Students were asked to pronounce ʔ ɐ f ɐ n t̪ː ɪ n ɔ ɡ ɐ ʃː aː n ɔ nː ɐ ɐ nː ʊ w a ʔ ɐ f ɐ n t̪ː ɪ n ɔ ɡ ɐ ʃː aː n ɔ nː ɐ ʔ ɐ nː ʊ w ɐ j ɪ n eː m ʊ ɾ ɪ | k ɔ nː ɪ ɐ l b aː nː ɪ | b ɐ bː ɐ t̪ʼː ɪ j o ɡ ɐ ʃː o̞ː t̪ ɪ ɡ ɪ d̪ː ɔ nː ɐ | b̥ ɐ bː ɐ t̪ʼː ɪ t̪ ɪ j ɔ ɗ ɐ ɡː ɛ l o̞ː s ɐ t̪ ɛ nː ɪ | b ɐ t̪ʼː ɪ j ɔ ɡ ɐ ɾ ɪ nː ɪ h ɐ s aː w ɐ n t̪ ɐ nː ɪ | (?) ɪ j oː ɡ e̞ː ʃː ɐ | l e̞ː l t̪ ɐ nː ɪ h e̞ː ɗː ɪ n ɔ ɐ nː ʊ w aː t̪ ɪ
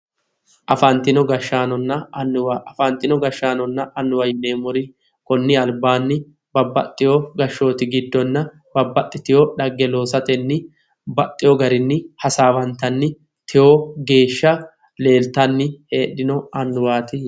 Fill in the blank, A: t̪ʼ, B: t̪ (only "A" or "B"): B